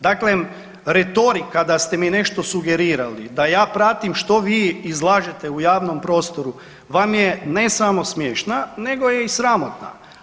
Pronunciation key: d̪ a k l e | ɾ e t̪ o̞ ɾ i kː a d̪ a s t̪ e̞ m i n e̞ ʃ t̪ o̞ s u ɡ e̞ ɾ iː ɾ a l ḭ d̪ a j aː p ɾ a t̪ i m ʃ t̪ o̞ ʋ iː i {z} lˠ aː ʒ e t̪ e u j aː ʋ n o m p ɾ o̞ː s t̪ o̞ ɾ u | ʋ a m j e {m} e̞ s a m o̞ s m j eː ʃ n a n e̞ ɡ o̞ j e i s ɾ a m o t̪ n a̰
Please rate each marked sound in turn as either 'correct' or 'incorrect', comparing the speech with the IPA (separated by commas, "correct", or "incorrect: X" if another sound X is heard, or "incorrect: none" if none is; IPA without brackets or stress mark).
correct, incorrect: n